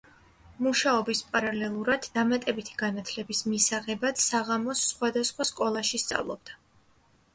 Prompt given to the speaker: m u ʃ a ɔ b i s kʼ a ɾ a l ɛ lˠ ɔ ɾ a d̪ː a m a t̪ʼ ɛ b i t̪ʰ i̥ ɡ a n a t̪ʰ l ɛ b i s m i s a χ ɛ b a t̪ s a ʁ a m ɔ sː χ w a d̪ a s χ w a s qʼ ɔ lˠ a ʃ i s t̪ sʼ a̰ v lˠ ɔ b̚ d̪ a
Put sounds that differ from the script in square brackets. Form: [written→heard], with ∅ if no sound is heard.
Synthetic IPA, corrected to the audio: m u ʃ a ɔ b i s [kʼ→pʼ] a ɾ a l ɛ lˠ [ɔ→u] ɾ a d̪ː a m a t̪ʼ ɛ b i t̪ʰ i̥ ɡ a n a t̪ʰ l ɛ b i s m i s a [χ→ʁ] ɛ b a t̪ s a ʁ a m ɔ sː χ w a d̪ a s χ w a s [qʼ→kʼ] ɔ lˠ a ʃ i s t̪ sʼ a̰ v lˠ ɔ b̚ d̪ a

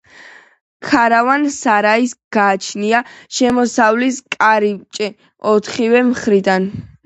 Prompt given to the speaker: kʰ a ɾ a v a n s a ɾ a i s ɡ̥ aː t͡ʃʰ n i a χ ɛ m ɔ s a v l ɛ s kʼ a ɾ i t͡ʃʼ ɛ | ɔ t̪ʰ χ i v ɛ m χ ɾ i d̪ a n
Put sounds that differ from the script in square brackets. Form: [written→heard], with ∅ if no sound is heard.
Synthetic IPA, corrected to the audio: kʰ a ɾ a v a n s a ɾ a i s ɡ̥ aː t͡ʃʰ n i a [χ→ʃ] ɛ m ɔ s a v l [ɛ→i] s kʼ a ɾ i t͡ʃʼ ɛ | ɔ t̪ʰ χ i v ɛ m χ ɾ i d̪ a n

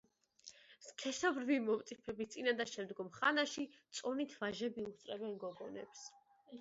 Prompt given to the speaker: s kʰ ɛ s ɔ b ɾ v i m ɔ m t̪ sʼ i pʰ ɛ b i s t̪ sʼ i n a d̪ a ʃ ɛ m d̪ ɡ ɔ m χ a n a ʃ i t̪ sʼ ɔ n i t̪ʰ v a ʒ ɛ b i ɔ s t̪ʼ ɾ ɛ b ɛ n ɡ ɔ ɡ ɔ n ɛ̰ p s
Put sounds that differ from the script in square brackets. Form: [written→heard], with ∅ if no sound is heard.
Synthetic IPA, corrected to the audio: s kʰ ɛ s ɔ b ɾ v i m ɔ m t̪ sʼ i pʰ ɛ b i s t̪ sʼ i n a d̪ a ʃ ɛ m d̪ ɡ ɔ m χ a n a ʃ i t̪ sʼ ɔ n i t̪ʰ v a ʒ ɛ b i [ɔ→u] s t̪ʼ ɾ ɛ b ɛ n ɡ ɔ ɡ ɔ n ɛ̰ p s

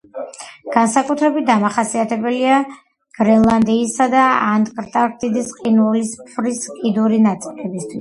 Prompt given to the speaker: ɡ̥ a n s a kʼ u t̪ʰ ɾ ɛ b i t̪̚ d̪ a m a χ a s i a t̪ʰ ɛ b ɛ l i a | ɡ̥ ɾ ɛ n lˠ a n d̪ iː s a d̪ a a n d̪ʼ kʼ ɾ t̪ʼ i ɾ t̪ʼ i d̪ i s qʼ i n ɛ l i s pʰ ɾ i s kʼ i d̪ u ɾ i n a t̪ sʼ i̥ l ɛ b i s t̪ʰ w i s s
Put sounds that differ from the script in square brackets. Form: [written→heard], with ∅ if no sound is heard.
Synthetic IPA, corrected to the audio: ɡ̥ a n s a kʼ u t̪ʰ ɾ ɛ b i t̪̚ d̪ a m a χ a s i a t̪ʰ ɛ b ɛ l i a | ɡ̥ ɾ ɛ n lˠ a n d̪ iː s a d̪ a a n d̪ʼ kʼ ɾ t̪ʼ [i→a] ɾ t̪ʼ i d̪ i s qʼ i n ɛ l i s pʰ ɾ i s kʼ i d̪ u ɾ i n a t̪ sʼ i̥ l ɛ b i s t̪ʰ w i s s

